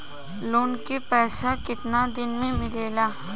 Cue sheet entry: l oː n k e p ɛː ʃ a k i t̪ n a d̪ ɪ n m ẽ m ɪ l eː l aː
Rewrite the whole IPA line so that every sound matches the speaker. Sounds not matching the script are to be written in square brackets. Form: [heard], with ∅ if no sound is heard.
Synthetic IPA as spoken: l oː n k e p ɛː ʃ a k [ɪ] t̪ n a d̪ ɪ n m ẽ m ɪ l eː l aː